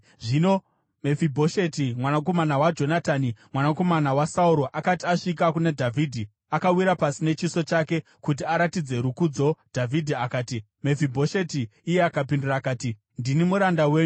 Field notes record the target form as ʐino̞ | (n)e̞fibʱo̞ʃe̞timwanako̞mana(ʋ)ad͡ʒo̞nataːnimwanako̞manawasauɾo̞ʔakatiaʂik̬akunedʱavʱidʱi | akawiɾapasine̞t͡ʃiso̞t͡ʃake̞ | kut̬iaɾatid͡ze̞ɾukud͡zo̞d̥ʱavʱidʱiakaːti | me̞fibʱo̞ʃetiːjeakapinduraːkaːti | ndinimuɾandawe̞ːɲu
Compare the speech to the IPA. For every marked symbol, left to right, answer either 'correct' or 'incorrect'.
incorrect: m, incorrect: w

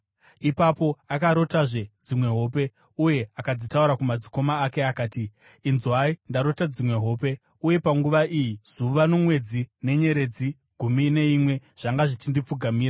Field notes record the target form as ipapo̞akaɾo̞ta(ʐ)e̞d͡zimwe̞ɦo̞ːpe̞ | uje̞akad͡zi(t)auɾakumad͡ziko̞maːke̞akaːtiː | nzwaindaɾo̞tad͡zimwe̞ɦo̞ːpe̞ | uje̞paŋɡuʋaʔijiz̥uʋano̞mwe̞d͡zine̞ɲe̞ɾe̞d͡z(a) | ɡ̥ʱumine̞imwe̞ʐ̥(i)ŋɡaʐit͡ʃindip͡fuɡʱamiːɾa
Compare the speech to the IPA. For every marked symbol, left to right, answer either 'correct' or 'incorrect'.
correct, correct, incorrect: i, incorrect: a

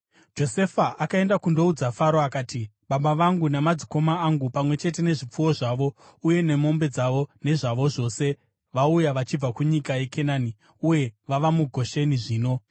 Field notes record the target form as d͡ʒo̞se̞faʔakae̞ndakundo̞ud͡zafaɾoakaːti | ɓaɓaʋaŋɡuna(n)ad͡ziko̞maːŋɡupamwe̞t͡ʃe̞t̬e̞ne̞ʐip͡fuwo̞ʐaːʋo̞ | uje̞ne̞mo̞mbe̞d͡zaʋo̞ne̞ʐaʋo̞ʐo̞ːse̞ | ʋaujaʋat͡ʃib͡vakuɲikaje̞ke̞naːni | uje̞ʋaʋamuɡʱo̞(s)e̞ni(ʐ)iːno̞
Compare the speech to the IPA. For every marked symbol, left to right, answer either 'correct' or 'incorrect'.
incorrect: m, incorrect: ʃ, correct

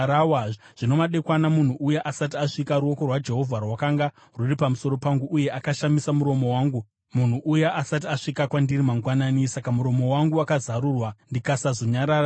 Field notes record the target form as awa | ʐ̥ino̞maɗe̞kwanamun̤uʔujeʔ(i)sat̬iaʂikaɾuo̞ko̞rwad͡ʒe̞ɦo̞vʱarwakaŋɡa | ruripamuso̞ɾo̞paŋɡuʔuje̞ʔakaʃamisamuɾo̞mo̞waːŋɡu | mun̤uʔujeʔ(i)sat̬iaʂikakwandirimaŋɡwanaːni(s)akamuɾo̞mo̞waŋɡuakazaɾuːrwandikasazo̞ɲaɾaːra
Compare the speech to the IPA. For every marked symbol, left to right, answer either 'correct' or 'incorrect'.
incorrect: a, incorrect: a, correct

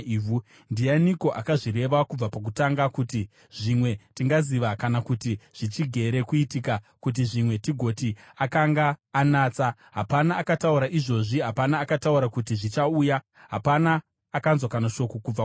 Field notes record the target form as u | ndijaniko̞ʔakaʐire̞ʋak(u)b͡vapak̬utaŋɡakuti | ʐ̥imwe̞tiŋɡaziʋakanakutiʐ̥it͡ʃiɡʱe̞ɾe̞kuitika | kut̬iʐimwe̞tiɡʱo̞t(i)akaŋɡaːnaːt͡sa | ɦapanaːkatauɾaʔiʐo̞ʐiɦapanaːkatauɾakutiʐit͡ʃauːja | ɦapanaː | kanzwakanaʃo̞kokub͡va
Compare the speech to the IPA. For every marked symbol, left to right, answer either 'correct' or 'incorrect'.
correct, correct

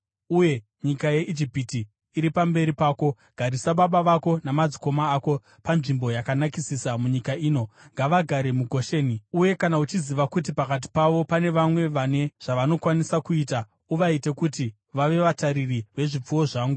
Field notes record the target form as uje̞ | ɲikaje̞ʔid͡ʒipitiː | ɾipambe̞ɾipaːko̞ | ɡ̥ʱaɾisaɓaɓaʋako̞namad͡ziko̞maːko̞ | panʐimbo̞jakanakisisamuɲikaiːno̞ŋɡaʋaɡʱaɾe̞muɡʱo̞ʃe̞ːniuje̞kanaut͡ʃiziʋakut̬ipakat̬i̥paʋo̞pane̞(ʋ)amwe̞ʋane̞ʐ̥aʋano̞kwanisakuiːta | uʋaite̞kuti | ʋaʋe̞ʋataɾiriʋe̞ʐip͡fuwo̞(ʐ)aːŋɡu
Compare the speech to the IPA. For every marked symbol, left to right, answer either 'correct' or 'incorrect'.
correct, correct

